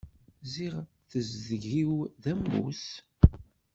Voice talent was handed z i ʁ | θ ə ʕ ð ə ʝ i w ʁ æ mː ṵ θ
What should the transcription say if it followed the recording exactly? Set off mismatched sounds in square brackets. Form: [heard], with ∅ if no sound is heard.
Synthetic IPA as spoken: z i ʁ | θ ə [z] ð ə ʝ i w [ð] æ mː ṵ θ